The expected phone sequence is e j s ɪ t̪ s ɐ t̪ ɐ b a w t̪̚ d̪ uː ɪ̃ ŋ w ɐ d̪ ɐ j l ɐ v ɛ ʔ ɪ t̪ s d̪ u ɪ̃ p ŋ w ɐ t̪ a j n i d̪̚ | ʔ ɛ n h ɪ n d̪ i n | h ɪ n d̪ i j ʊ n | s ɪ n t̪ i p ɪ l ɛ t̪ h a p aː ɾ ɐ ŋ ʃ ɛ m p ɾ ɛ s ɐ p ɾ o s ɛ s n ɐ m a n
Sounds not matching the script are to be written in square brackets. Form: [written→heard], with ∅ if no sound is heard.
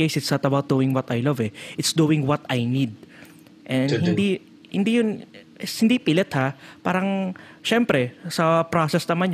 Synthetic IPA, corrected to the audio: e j s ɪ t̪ s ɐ t̪ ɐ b a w t̪̚ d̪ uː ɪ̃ ŋ w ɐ [d̪→t̪] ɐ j l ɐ v ɛ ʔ ɪ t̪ s d̪ u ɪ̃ [p→∅] ŋ w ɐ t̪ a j n i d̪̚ | ʔ ɛ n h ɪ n d̪ i [n→∅] | h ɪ n d̪ i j ʊ n | [s→h] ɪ n [t̪→d̪] i p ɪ l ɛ t̪ h a p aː ɾ ɐ ŋ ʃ ɛ m p ɾ ɛ s ɐ p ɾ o s ɛ s n ɐ m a n